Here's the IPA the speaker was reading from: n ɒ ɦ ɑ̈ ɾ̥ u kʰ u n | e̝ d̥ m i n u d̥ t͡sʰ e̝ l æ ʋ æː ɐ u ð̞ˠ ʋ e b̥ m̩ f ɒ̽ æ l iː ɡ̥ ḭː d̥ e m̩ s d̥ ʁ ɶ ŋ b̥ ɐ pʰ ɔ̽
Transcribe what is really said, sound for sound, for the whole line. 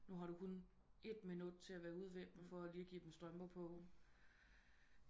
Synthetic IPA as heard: n u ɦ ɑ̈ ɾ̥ u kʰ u n | e̝ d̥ m i n u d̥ t͡sʰ e̝ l æ ʋ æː ɐ u ð̞ˠ ʋ e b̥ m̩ f ɒ̽ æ l iː ɡ̥ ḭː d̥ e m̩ s d̥ ʁ ɶ m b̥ ɐ pʰ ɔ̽